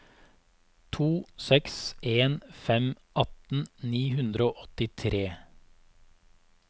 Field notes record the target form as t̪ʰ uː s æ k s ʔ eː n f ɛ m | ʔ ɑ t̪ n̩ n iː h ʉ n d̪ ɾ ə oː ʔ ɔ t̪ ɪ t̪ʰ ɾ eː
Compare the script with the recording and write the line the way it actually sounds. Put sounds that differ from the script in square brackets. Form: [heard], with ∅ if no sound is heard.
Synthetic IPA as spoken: t̪ʰ uː s [ɛ] k s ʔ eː n f ɛ m | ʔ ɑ t̪ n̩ n iː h ʉ n d̪ ɾ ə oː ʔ ɔ t̪ ɪ t̪ʰ ɾ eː